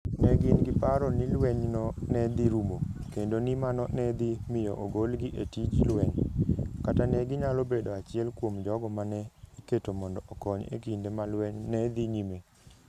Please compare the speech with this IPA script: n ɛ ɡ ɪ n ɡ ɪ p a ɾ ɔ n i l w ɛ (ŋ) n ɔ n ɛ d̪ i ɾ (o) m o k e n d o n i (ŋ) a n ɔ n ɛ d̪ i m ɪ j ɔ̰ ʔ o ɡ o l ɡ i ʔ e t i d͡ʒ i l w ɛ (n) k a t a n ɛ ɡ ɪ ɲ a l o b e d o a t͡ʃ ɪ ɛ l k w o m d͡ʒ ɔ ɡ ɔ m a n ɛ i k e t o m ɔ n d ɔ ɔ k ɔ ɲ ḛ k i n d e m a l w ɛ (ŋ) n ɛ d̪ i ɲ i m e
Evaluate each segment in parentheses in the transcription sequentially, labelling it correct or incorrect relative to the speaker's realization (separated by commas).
incorrect, incorrect, incorrect, incorrect, incorrect